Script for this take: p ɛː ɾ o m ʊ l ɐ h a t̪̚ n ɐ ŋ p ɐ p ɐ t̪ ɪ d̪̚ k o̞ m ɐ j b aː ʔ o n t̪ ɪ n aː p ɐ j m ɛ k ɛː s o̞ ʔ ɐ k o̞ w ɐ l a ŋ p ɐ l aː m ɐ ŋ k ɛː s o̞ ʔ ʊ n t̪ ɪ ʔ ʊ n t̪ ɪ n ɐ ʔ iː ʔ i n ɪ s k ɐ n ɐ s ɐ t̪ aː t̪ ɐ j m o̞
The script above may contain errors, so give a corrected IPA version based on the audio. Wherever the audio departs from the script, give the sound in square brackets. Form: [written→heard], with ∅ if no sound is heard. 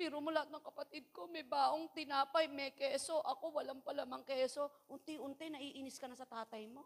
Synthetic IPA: p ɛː ɾ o m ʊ l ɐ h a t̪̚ n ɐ ŋ [p→k] ɐ p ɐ t̪ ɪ d̪̚ k o̞ m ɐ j b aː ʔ o [n→ŋ] t̪ ɪ n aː p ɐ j m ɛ k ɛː s o̞ ʔ ɐ k o̞ w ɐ l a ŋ p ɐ l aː m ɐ ŋ k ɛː s o̞ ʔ ʊ n t̪ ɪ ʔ ʊ n t̪ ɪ n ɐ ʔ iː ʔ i n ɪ s k ɐ n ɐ s ɐ t̪ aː t̪ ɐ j m o̞